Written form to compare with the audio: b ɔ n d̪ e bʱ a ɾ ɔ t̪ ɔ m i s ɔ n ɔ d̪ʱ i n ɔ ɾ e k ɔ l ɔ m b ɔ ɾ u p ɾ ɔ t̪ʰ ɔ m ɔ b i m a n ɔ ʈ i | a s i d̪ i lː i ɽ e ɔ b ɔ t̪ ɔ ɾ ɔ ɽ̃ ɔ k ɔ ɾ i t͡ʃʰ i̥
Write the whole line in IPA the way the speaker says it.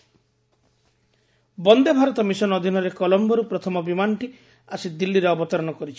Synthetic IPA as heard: b ɔ n d̪ e bʱ a ɾ ɔ t̪ ɔ m i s ɔ n ɔ d̪ʱ i n ɔ ɾ e k ɔ l ɔ m b ɔ ɾ u p ɾ ɔ t̪ʰ ɔ m ɔ b i m a n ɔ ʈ i | a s i d̪ i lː i ɾ e ɔ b ɔ t̪ ɔ ɾ ɔ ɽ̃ ɔ k ɔ ɾ i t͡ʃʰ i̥